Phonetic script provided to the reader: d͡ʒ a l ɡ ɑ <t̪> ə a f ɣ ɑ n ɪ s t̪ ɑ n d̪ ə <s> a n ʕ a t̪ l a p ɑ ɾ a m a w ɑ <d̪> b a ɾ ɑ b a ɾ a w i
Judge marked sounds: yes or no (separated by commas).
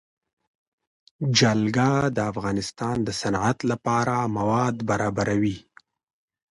no, yes, yes